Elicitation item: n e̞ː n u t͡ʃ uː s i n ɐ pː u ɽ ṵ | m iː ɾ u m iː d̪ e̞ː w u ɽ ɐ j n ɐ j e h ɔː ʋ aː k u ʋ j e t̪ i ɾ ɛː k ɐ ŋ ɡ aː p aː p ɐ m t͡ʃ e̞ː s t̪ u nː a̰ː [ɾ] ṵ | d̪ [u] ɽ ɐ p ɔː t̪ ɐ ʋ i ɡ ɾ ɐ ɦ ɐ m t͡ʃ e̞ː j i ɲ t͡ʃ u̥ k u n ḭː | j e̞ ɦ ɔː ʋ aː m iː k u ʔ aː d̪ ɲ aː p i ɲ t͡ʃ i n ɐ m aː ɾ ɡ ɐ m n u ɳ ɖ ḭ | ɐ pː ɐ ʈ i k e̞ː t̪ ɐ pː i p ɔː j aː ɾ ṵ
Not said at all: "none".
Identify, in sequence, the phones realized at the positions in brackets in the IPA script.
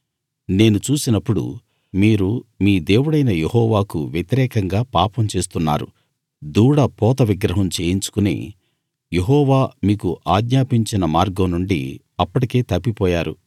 ɾ, uː

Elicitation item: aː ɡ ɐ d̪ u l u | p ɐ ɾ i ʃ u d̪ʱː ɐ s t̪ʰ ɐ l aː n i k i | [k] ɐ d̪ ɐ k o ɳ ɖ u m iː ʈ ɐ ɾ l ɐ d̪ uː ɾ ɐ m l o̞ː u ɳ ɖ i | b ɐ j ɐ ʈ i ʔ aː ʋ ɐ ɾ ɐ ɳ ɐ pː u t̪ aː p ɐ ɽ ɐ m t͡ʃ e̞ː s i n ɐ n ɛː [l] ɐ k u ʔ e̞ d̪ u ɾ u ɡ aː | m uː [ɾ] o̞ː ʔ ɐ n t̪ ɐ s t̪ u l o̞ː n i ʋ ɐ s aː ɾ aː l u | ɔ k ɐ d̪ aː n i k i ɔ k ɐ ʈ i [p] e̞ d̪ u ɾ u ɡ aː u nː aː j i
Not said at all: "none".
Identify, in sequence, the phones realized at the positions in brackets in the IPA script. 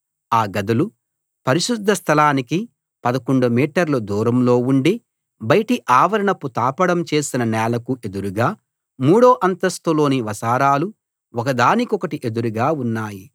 p, l, ɽ, ʔ

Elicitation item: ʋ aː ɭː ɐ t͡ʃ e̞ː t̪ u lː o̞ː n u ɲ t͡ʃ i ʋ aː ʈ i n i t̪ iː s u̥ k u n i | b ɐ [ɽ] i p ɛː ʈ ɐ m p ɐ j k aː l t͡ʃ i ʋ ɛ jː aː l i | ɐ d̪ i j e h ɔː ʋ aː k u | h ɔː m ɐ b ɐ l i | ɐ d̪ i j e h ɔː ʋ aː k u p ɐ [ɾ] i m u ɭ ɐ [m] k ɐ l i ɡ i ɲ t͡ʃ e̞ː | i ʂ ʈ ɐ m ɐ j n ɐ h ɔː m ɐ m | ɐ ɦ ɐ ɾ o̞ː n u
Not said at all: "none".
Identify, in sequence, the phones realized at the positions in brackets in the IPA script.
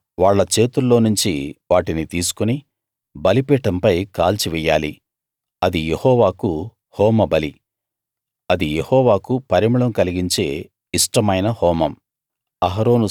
l, ɾ, m

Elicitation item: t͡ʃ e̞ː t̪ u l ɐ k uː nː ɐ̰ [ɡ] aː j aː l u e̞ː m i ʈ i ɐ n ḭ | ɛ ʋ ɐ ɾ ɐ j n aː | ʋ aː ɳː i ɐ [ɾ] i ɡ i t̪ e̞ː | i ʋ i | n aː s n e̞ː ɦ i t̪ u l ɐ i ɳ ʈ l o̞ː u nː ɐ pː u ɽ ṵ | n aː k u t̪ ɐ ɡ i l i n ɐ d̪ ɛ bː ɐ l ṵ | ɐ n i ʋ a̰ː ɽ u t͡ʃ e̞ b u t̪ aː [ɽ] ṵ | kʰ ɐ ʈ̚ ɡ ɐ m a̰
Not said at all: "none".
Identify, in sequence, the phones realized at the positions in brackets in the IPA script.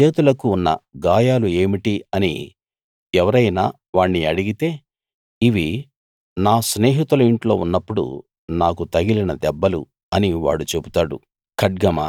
ɡ, ɽ, ɽ

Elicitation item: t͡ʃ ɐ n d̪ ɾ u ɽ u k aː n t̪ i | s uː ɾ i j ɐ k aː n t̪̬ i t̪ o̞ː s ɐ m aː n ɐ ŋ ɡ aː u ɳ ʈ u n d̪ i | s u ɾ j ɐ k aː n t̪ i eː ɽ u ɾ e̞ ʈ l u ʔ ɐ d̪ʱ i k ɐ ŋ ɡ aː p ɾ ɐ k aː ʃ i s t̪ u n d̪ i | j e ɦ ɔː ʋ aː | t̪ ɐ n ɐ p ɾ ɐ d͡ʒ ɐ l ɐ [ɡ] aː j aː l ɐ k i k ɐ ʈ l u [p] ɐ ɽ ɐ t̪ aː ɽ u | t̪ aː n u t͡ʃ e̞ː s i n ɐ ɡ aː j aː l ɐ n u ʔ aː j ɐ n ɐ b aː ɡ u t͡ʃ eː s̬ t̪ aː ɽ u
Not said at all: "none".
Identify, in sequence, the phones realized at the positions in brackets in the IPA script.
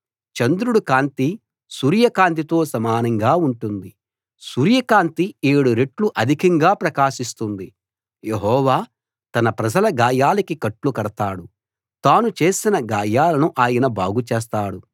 ɡ, k

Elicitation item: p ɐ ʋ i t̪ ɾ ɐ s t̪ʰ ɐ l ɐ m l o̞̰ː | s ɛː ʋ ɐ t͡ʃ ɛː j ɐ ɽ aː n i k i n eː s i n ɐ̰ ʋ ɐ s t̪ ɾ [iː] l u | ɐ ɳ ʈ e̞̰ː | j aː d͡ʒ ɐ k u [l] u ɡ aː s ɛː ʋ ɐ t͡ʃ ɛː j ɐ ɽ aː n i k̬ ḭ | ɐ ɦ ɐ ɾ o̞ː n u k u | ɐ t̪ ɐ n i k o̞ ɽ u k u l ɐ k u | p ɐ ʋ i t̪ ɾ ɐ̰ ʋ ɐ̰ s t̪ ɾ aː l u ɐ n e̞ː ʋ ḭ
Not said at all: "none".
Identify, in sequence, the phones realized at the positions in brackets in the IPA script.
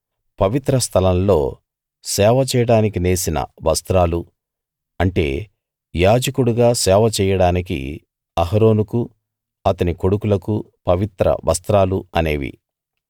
aː, ɽ

